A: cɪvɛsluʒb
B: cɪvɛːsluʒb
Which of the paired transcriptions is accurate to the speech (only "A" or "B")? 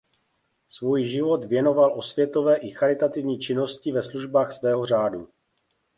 A